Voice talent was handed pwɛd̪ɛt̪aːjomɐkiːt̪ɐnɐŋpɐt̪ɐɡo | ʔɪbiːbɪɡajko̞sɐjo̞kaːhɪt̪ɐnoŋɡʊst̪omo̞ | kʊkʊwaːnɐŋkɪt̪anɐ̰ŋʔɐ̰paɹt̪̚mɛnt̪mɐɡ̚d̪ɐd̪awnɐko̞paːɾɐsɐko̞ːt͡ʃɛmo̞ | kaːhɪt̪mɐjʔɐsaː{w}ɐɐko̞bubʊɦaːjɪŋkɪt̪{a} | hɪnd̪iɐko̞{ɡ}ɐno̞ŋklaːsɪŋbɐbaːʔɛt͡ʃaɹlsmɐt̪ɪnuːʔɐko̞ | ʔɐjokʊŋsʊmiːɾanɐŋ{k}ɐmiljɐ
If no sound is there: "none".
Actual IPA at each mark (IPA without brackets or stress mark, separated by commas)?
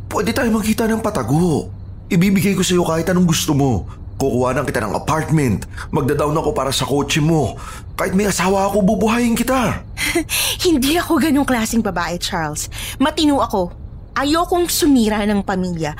w, a, ɡ, p